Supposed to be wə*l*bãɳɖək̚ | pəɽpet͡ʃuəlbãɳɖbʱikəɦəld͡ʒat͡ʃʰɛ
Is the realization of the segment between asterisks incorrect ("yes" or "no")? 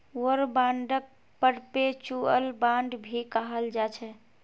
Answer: yes